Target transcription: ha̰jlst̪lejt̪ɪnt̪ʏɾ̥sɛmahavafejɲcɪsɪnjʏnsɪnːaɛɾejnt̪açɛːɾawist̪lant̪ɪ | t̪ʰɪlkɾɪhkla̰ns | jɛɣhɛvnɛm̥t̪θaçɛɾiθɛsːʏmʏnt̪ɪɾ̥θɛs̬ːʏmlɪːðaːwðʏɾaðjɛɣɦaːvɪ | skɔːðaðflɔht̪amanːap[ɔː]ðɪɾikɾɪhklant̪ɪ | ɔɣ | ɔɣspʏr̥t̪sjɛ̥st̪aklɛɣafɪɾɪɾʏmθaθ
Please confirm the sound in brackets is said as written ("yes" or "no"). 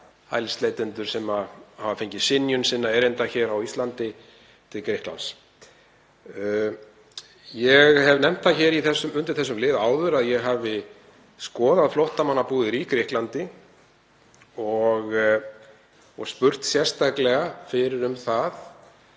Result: no